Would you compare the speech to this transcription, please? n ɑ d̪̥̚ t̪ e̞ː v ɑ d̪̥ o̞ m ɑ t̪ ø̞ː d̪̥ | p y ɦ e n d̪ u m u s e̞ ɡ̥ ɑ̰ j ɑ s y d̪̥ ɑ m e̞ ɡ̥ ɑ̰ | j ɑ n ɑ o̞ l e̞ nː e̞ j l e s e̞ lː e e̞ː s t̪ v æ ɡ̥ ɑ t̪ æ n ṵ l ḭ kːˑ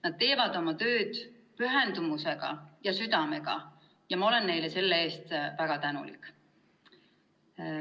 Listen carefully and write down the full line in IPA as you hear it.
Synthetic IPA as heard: n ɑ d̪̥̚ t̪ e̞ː v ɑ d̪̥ o̞ m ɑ t̪ ø̞ː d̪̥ | p y ɦ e n d̪ u m u s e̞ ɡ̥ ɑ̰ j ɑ s y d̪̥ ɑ m e̞ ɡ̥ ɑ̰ | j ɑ m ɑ o̞ l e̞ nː e̞ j l e s e̞ lː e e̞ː s t̪ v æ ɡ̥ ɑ t̪ æ n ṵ l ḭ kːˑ